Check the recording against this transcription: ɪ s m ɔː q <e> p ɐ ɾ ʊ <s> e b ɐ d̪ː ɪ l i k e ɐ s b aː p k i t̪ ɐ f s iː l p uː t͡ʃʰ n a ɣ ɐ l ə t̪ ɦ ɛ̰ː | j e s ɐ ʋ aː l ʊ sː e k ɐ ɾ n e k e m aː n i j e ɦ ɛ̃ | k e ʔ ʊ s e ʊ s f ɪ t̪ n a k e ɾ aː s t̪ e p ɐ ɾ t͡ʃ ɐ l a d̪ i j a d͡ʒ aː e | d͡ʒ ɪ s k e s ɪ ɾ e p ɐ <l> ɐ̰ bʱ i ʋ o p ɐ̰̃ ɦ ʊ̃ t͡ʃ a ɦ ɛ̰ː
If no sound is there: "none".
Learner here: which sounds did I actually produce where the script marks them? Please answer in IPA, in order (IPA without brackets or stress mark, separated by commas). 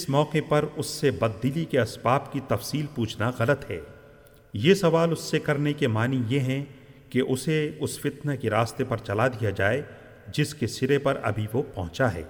e, sː, ɾ